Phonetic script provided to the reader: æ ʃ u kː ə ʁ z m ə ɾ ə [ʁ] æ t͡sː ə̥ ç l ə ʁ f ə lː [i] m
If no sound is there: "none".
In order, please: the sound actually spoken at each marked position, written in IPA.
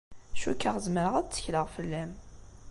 ʁ, æ

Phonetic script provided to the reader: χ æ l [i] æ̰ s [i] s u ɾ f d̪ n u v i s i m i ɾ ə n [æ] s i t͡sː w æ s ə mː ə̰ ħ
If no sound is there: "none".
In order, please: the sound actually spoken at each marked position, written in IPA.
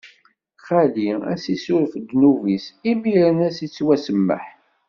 i, i, æ

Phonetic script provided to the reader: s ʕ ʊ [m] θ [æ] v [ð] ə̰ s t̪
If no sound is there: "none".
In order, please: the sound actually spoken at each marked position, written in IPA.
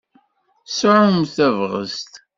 m, æ, ʁ

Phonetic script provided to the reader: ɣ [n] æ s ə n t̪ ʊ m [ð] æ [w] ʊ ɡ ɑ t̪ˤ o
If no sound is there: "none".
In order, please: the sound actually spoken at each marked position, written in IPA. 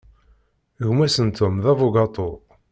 m, ð, v

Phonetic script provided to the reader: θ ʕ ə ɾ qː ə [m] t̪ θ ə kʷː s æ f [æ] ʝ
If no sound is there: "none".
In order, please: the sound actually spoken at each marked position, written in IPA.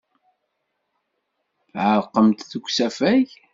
m, æ

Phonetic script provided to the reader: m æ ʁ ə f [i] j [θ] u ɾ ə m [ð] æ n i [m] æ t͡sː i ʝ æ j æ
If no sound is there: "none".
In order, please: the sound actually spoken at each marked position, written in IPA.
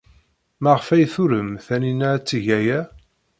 æ, θ, θ, n

